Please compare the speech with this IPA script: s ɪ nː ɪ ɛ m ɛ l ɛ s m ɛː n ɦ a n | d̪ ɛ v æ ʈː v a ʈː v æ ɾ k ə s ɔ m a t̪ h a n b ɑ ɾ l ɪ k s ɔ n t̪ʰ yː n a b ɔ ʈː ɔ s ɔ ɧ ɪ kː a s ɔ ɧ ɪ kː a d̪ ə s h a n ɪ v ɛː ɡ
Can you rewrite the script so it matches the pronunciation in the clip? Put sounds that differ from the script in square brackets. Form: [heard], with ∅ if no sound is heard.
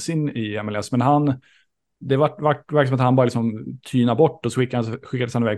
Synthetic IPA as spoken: s ɪ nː ɪ ɛ m ɛ l ɛ s m [ɛ] n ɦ a n | d̪ ɛ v [a] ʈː v a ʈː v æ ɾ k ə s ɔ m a t̪ h a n b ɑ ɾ l ɪ k s ɔ [m] t̪ʰ yː n a b ɔ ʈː ɔ s ɔ ɧ ɪ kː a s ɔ ɧ ɪ kː a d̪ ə s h a n ɪ v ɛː ɡ